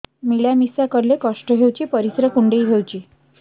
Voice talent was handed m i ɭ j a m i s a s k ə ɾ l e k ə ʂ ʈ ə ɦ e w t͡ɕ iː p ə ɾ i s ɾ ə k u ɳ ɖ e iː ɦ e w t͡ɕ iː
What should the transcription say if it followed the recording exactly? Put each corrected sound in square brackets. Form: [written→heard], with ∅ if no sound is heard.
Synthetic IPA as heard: m i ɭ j a m i s a [s→∅] k ə ɾ l e k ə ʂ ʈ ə ɦ e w t͡ɕ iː p ə ɾ i s ɾ ə k u ɳ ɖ e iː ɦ e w t͡ɕ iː